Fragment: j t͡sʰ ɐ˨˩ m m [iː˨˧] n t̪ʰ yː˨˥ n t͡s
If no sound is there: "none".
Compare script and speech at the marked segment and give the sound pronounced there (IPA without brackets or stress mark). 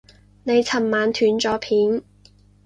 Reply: aː˨˧